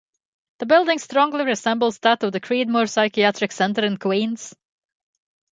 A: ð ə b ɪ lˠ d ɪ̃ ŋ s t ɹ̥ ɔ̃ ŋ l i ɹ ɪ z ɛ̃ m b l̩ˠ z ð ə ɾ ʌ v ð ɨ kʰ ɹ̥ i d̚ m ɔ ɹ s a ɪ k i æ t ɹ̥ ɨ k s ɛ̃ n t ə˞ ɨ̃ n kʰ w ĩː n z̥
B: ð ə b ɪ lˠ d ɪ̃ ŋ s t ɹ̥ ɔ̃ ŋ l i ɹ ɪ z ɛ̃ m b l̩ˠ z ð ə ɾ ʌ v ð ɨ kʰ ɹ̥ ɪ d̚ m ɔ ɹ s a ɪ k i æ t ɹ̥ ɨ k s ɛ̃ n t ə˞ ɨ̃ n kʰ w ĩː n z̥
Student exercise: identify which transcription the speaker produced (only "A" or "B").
A